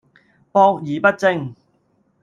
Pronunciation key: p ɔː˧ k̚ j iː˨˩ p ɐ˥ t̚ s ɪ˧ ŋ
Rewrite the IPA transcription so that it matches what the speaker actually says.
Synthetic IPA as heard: p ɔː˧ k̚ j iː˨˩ p ɐ˥ t̚ t͡s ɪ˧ ŋ

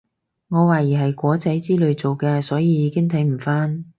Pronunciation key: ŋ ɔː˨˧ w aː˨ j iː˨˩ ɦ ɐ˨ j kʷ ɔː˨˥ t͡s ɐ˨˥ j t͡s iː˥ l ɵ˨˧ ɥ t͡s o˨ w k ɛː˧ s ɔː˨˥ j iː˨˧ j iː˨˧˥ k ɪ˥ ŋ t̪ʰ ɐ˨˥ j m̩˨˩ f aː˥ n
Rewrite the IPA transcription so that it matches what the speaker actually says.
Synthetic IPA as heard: ŋ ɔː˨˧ w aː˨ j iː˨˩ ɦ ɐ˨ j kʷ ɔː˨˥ t͡s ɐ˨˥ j t͡s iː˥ l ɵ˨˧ ɥ t͡s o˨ w k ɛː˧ s ɔː˨˥ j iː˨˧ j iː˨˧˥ k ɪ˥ ŋ t̪ʰ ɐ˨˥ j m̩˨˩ f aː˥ n

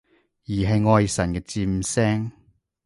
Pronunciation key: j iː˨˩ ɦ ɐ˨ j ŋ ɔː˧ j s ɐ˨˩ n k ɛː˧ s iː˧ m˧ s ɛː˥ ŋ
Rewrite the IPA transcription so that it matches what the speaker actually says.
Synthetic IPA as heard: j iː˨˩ ɦ ɐ˨ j ŋ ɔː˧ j s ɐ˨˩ n k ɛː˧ t͡s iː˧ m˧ s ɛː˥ ŋ

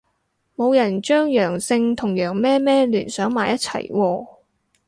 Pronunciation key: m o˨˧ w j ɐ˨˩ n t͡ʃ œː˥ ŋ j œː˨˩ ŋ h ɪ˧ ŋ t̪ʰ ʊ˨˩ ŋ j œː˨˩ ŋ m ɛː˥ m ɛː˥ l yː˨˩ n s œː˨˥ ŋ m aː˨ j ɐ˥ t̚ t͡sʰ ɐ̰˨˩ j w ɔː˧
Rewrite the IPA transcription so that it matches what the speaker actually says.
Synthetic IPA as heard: m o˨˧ w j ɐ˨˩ n t͡ʃ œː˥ ŋ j œː˨˩ ŋ s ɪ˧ ŋ t̪ʰ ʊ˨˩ ŋ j œː˨˩ ŋ m ɛː˥ m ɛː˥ l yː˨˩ n s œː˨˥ ŋ m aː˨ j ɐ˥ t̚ t͡sʰ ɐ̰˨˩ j w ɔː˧

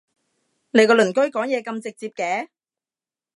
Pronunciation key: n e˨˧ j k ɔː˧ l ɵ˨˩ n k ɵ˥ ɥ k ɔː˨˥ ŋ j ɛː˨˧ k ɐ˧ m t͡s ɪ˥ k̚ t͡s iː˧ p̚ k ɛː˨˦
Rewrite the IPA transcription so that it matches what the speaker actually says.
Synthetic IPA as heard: n e˨˧ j k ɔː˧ l ɵ˨˩ n k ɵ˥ ɥ k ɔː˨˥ ŋ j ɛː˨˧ k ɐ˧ m t͡s ɪ˨ k̚ t͡s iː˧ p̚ k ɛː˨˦

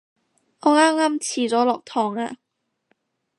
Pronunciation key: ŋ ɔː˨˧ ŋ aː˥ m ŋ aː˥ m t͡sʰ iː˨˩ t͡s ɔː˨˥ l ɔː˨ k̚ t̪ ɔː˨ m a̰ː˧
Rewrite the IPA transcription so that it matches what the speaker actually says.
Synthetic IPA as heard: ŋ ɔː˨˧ ŋ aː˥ m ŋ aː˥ m t͡sʰ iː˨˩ t͡s ɔː˨˥ l ɔː˨ k̚ t̪ʰ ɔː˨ ŋ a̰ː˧

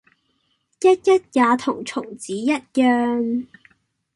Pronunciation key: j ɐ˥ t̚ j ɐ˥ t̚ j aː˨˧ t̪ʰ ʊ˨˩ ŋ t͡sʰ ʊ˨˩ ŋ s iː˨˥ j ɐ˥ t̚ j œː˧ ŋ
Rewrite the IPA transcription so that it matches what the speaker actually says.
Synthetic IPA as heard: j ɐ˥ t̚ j ɐ˥ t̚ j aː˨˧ t̪ʰ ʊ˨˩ ŋ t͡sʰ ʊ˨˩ ŋ t͡s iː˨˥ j ɐ˥ t̚ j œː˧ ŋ

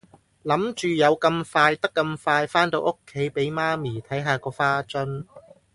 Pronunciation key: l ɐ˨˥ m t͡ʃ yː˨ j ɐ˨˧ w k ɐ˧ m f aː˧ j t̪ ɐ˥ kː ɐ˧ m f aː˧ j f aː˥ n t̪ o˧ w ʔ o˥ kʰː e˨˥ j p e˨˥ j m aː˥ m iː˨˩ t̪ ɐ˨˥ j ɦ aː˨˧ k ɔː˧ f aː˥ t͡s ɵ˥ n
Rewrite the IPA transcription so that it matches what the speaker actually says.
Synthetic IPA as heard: l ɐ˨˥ m t͡ʃ yː˨ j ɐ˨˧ w k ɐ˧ m f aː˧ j t̪ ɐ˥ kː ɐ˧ m f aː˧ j f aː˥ n t̪ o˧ w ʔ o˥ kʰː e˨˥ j p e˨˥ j m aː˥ m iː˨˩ t̪ʰ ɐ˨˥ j ɦ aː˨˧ k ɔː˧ f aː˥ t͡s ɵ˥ n

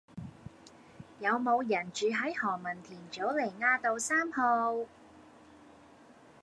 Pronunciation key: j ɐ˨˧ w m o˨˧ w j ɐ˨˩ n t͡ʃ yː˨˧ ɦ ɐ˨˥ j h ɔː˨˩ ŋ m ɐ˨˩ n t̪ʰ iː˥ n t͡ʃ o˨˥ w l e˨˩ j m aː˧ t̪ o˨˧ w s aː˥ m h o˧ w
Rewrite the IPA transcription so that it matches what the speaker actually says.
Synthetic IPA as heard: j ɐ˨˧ w m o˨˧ w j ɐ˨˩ n t͡ʃ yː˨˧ ɦ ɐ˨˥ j h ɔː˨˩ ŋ m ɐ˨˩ n t̪ʰ iː˨˩ n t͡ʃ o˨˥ w l e˨˩ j ŋ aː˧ t̪ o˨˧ w s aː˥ m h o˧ w

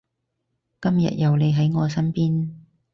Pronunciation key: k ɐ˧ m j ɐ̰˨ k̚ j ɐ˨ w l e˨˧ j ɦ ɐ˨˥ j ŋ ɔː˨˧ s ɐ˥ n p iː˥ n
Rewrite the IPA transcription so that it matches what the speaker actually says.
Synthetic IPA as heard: k ɐ˥ m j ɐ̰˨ t̚ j ɐ˨ w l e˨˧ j ɦ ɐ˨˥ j ŋ ɔː˨˧ s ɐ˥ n p iː˥ n

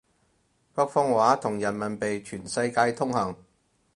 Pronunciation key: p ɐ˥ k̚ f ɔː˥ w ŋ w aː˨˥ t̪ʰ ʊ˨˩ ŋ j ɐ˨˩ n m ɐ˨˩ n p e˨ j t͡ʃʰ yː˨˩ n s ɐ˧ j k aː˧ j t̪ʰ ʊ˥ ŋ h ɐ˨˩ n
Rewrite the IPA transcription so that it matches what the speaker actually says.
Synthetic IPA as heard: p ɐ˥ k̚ f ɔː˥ ŋ w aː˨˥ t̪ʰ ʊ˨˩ ŋ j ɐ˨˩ n m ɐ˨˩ n p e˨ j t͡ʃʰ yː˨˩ n s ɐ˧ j k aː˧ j t̪ʰ ʊ˥ ŋ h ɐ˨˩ ŋ

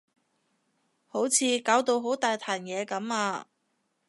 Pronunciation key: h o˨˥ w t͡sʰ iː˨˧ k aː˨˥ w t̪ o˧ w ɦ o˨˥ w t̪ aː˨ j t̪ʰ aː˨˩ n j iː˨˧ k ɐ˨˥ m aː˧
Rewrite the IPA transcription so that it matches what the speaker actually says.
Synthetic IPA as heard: h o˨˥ w t͡sʰ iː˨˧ k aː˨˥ w t̪ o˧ w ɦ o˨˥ w t̪ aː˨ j t̪ʰ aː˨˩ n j ɛː˨˧ k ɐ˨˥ m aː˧

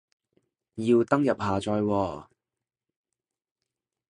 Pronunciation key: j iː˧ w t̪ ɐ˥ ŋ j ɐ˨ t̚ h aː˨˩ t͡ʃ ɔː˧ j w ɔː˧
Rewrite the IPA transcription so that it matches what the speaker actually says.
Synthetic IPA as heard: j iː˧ w t̪ ɐ˥ ŋ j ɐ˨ p̚ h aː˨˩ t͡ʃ ɔː˧ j w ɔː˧

